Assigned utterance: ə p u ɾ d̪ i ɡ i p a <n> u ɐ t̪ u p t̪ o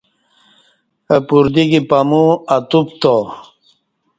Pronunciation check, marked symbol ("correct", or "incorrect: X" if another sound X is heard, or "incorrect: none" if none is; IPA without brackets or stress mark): incorrect: m